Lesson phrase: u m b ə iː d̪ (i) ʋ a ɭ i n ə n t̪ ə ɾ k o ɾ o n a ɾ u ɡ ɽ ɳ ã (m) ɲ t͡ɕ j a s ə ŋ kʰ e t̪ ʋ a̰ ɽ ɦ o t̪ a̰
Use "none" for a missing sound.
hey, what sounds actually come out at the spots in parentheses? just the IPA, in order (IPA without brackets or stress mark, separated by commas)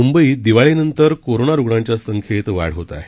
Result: i, none